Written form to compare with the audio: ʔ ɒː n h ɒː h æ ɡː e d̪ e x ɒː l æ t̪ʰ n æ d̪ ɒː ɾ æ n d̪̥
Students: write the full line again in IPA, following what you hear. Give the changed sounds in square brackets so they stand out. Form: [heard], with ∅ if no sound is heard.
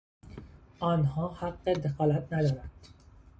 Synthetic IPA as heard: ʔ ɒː n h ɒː h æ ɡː e d̪ e x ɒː l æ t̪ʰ n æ d̪ ɒː ɾ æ n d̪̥